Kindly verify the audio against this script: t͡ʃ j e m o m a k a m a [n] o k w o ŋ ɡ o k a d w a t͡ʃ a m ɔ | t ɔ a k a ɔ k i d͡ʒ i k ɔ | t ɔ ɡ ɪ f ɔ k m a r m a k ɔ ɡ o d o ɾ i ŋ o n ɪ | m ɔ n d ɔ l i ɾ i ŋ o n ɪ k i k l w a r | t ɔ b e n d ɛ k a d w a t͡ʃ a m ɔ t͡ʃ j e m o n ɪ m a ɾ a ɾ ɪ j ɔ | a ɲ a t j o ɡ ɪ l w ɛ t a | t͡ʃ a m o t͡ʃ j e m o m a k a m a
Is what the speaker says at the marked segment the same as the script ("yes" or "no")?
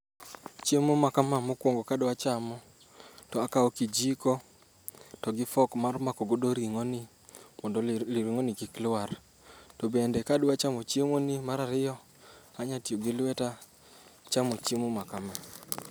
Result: no